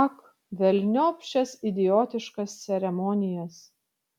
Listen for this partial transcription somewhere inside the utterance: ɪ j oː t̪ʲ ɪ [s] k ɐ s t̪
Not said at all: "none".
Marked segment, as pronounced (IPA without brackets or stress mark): ʃ